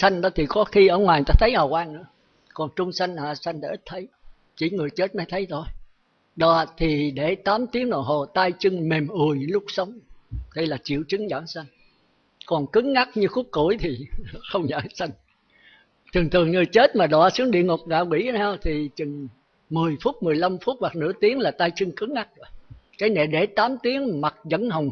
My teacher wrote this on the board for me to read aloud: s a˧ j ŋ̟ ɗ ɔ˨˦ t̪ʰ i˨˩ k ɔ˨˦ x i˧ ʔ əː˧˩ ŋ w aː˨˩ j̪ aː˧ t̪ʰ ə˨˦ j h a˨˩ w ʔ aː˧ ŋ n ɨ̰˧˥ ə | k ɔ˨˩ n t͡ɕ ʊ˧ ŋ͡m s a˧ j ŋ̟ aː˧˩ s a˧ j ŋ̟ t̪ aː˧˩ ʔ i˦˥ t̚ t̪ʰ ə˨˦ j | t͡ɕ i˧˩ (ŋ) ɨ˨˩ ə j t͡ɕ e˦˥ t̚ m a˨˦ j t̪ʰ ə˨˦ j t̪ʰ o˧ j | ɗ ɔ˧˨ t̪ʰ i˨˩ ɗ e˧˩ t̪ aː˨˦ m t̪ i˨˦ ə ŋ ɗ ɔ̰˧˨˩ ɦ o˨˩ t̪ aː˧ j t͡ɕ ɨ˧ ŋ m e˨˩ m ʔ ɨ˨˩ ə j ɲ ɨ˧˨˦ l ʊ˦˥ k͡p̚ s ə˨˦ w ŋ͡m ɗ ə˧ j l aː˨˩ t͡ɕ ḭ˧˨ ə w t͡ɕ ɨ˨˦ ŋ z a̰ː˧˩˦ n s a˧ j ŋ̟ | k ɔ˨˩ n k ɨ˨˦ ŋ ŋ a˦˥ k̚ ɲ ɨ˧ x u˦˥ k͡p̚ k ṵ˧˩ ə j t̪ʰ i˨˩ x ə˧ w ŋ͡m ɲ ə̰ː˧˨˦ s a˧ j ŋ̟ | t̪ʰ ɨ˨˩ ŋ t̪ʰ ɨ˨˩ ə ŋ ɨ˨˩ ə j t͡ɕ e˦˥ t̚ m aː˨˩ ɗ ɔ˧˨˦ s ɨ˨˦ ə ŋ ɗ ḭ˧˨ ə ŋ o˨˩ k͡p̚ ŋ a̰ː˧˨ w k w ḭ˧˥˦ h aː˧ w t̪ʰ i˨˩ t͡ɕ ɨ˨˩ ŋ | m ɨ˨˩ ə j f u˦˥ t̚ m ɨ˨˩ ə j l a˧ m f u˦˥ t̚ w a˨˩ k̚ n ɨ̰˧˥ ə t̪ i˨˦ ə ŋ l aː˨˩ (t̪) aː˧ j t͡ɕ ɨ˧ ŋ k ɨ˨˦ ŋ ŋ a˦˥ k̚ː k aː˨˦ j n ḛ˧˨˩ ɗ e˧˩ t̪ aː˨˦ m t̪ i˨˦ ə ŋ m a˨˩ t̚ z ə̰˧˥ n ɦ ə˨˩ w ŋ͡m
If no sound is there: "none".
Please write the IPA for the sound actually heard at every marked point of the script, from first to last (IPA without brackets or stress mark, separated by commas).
ŋ, t̪